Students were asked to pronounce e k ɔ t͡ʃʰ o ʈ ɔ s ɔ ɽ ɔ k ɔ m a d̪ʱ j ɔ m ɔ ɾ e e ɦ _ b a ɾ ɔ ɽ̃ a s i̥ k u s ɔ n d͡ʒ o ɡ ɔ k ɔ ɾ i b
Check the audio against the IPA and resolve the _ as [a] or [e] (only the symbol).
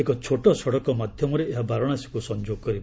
a